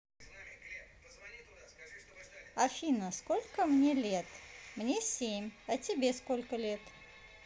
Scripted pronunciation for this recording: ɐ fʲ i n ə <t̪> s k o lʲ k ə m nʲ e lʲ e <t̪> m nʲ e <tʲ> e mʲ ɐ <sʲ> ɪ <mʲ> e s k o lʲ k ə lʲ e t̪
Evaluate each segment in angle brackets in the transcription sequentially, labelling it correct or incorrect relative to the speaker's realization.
incorrect, correct, incorrect, incorrect, incorrect

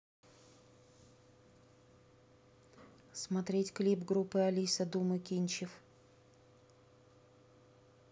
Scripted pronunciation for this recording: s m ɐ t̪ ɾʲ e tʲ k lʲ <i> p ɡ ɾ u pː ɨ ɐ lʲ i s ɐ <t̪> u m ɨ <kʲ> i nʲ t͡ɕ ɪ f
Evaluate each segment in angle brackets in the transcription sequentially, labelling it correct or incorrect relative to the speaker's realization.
correct, incorrect, correct

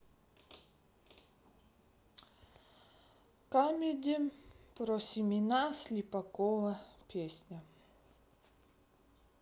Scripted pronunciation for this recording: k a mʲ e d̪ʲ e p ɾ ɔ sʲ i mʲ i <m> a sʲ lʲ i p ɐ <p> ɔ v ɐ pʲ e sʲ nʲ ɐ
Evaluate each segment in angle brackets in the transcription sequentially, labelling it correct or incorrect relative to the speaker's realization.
incorrect, incorrect

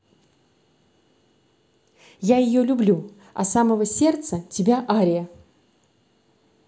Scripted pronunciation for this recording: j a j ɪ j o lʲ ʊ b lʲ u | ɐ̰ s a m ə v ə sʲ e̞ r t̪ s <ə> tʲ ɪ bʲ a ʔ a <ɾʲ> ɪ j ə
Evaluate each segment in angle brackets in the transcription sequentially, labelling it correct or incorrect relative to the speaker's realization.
correct, correct

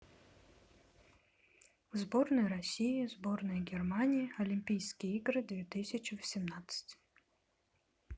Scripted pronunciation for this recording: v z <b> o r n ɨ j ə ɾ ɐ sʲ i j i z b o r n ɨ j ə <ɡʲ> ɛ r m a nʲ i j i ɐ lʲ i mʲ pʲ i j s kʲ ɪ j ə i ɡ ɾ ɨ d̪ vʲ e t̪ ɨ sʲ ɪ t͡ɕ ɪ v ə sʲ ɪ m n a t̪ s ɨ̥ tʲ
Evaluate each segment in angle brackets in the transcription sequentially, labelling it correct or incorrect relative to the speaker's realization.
correct, correct

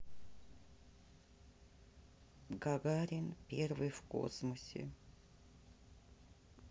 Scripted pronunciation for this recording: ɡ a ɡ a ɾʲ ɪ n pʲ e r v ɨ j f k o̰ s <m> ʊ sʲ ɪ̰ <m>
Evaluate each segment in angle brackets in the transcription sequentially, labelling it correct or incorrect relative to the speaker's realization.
correct, incorrect

